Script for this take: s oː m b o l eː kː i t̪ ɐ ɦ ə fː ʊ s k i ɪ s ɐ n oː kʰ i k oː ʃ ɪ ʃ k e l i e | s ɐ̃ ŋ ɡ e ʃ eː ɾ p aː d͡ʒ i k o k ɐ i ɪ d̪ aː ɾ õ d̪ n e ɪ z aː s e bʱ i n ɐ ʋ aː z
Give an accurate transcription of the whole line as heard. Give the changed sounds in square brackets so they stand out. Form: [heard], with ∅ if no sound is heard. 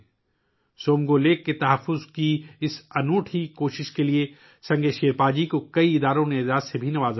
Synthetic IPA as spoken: s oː m [ɡ] o l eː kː [e] t̪ ɐ ɦ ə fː ʊ [z] k i ɪ s ɐ n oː [ʈʰ] i k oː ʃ ɪ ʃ k e l i e | s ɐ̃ ŋ ɡ e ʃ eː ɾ p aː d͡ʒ i k o k ɐ i ɪ d̪ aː ɾ õ [∅] n e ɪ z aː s e bʱ i n ɐ ʋ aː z

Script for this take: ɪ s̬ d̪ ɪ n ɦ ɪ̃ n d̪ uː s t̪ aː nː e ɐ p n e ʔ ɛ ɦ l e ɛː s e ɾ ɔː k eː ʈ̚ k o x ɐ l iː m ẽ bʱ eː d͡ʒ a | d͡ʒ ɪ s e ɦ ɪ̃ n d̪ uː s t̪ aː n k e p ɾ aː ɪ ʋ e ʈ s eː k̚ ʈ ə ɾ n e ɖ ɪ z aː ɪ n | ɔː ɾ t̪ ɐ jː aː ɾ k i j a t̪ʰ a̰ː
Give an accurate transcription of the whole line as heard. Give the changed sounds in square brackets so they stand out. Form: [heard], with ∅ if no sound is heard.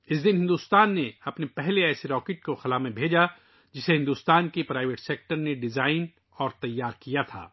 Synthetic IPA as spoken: ɪ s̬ d̪ ɪ n ɦ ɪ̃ n d̪ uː s t̪ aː nː e ɐ p n e [p] ɛ ɦ l e ɛː s e ɾ ɔː k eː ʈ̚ k o x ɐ l [aː] m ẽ bʱ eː d͡ʒ a | d͡ʒ ɪ s e ɦ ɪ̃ n d̪ uː s t̪ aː n k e p ɾ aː ɪ ʋ e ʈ s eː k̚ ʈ ə ɾ n e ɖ ɪ z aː ɪ n | ɔː ɾ t̪ ɐ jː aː ɾ k i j a t̪ʰ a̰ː

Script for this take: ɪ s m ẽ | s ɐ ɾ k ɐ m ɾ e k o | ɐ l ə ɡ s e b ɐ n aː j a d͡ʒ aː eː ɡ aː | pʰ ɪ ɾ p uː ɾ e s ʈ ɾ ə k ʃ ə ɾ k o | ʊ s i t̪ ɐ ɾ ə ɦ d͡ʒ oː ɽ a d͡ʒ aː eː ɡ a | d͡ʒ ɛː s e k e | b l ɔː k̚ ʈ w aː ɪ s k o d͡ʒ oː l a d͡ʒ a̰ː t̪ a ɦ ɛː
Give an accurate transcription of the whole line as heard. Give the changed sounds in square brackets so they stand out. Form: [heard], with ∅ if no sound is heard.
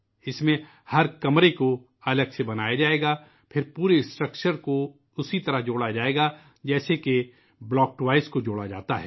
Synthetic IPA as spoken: ɪ s m ẽ | [h] ɐ ɾ k ɐ m ɾ e k o | ɐ l ə ɡ s e b ɐ n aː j a d͡ʒ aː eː ɡ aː | pʰ ɪ ɾ p uː ɾ e s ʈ ɾ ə k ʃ ə ɾ k o | ʊ s i t̪ ɐ ɾ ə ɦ d͡ʒ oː ɽ a d͡ʒ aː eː ɡ a | d͡ʒ ɛː s e k e | b l ɔː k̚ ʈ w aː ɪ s k o d͡ʒ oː [ɽ] a d͡ʒ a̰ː t̪ a ɦ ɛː

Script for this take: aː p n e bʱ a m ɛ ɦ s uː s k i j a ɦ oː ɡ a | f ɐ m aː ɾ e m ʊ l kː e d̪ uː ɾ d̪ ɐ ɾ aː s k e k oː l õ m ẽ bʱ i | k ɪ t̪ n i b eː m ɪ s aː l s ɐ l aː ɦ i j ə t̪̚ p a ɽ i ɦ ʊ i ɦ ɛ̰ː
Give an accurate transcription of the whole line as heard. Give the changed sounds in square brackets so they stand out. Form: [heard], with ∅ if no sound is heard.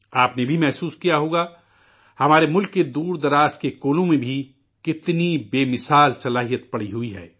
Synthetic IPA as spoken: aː p n e bʱ [i] m ɛ ɦ s uː s k i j a ɦ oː ɡ a | [h] ɐ m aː ɾ e m ʊ l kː e d̪ uː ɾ d̪ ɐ ɾ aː s k e k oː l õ m ẽ bʱ i | k ɪ t̪ n i b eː m ɪ s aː l s ɐ l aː ɦ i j ə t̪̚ p [ɐ] ɽ i ɦ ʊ i ɦ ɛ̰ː

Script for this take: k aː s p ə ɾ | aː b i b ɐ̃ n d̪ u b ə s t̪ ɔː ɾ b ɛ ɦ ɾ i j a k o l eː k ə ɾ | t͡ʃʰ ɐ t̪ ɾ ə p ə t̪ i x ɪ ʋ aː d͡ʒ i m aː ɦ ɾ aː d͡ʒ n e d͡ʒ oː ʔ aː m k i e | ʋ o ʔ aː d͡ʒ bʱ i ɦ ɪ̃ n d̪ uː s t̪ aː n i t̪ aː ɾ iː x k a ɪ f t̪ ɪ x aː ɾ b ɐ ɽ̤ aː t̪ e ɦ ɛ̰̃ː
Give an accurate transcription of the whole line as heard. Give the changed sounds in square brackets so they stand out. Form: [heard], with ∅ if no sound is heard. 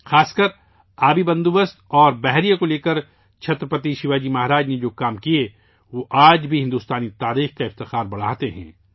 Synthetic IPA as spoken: [x] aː s [k] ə ɾ | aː b i b ɐ̃ n d̪ u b ə s t̪ ɔː ɾ b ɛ ɦ ɾ i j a k o l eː k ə ɾ | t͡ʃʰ ɐ t̪ ɾ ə p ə t̪ i [ʃ] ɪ ʋ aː d͡ʒ i m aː ɦ ɾ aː d͡ʒ n e d͡ʒ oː [k] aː m k i e | ʋ o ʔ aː d͡ʒ bʱ i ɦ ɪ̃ n d̪ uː s t̪ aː n i t̪ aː ɾ iː x k a ɪ f t̪ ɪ x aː ɾ b ɐ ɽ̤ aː t̪ e ɦ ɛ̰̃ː

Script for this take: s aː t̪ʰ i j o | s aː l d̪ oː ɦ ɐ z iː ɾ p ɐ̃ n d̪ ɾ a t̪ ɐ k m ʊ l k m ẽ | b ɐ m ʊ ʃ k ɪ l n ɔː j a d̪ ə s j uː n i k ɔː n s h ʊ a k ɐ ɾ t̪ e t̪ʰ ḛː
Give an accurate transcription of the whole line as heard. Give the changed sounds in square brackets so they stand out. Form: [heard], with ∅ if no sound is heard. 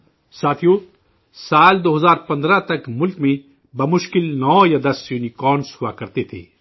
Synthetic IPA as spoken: s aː t̪ʰ i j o | s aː l d̪ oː ɦ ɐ z [aː] ɾ p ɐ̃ n d̪ ɾ a t̪ ɐ k m ʊ l k m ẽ | b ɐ m ʊ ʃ k ɪ l n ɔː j a d̪ [ɐ] s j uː n i k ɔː n s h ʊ a k ɐ ɾ t̪ e t̪ʰ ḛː

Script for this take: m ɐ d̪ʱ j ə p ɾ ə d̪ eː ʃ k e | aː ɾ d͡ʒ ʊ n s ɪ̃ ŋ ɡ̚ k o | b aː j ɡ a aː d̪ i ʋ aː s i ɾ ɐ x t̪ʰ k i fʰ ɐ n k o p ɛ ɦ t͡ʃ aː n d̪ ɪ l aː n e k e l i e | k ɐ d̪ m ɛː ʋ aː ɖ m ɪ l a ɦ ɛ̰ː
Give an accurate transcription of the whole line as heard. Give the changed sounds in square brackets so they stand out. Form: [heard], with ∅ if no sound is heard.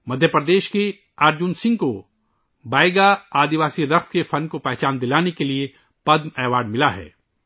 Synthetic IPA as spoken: m ɐ d̪ʱ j ə p ɾ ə d̪ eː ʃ k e | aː ɾ d͡ʒ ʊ n s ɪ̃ ŋ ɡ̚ k o | b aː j ɡ a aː d̪ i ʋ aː s i ɾ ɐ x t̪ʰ k [e] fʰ ɐ n k o p ɛ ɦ t͡ʃ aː n d̪ ɪ l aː n e k e l i e | [p] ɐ d̪ m ɛː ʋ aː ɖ m ɪ l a ɦ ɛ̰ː

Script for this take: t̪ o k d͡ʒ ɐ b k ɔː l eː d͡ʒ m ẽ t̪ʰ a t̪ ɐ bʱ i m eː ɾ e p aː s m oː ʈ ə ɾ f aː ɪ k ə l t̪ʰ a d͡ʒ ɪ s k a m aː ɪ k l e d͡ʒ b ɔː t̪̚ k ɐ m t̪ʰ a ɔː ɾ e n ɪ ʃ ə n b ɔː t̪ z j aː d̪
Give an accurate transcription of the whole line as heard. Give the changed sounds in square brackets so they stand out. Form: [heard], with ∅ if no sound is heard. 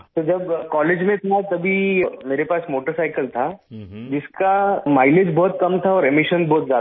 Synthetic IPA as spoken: t̪ o [∅] d͡ʒ ɐ b k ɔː l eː d͡ʒ m ẽ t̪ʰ a t̪ ɐ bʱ i m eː ɾ e p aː s m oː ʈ ə ɾ [s] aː ɪ k ə l t̪ʰ a d͡ʒ ɪ s k a m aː ɪ [∅] l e d͡ʒ b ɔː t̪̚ k ɐ m t̪ʰ a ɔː ɾ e [m] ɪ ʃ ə n b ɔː t̪ z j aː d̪

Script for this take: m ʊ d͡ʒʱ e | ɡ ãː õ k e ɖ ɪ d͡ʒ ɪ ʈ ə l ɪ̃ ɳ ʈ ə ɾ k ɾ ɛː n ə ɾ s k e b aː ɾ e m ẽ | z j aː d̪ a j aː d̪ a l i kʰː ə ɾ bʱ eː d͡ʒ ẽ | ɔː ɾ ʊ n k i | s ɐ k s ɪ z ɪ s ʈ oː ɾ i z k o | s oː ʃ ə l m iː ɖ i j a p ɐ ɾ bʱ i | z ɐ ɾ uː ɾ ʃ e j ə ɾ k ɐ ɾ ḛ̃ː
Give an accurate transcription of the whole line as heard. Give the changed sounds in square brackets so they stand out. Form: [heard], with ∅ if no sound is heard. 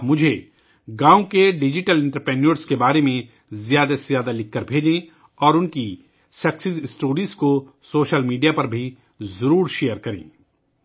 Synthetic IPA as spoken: m ʊ d͡ʒʱ e | ɡ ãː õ k e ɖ ɪ d͡ʒ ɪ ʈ ə l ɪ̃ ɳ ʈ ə ɾ [p] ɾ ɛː n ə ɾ s k e b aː ɾ e m ẽ | z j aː d̪ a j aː d̪ a l [ɪ] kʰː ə ɾ bʱ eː d͡ʒ ẽ | ɔː ɾ ʊ n k i | s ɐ k s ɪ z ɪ s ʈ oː ɾ i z k o | s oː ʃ ə l m iː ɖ i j a p ɐ ɾ bʱ i | z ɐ ɾ uː ɾ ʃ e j ə ɾ k ɐ ɾ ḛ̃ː

